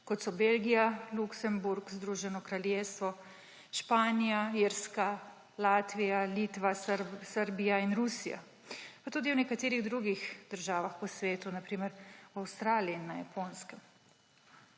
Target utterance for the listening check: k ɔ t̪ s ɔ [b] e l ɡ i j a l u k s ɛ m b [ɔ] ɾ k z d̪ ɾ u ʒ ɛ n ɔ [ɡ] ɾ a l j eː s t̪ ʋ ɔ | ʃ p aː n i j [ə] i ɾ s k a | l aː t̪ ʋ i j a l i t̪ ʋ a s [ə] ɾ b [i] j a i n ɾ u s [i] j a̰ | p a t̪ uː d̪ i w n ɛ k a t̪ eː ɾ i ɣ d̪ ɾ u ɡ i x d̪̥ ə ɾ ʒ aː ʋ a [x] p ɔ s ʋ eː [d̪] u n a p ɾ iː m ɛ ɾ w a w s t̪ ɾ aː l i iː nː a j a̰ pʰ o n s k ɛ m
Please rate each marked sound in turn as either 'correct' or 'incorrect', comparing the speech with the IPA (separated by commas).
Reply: correct, incorrect, incorrect, incorrect, correct, correct, correct, correct, incorrect